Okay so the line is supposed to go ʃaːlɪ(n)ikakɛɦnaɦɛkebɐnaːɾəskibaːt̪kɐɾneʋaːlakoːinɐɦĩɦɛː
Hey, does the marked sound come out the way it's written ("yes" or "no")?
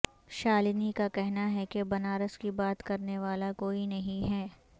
yes